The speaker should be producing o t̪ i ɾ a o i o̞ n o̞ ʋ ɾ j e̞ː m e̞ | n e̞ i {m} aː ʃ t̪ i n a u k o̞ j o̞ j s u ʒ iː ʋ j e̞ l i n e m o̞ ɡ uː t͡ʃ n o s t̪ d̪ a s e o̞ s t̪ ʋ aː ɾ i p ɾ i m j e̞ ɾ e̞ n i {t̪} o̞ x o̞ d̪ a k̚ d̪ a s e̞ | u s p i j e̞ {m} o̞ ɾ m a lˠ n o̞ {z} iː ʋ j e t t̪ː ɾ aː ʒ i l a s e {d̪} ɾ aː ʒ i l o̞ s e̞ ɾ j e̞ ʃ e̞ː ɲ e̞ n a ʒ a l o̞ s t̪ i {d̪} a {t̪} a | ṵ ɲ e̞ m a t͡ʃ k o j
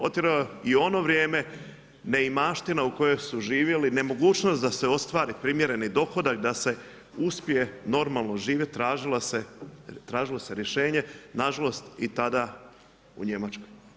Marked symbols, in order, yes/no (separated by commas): yes, no, no, no, no, no, no